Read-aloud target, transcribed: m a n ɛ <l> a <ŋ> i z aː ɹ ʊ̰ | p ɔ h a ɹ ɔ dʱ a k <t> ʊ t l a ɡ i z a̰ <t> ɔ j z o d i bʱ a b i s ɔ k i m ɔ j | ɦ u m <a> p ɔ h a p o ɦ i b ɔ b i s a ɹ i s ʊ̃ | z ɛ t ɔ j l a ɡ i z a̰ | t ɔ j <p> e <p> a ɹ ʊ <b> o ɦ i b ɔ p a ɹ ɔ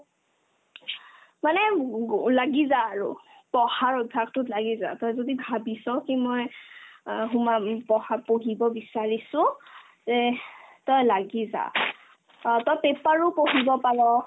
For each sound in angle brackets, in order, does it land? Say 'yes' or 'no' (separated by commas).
yes, no, yes, yes, yes, yes, yes, no